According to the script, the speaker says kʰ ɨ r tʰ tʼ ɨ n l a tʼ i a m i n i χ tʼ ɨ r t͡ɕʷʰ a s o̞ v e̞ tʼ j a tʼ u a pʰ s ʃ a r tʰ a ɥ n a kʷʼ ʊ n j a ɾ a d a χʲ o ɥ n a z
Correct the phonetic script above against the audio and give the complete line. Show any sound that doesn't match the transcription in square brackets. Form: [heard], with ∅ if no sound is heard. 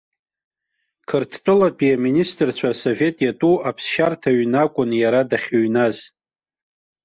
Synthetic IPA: kʰ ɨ r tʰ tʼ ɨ [∅] l a [pʼ] i a m i n i [s] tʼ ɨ r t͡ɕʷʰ a s o̞ v e̞ tʼ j a tʼ u a pʰ s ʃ a r tʰ a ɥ n a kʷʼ ʊ n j a ɾ a d a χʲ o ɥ n a z